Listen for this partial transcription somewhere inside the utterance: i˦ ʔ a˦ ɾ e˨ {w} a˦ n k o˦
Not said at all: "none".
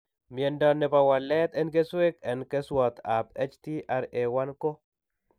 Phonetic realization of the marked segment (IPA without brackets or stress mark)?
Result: w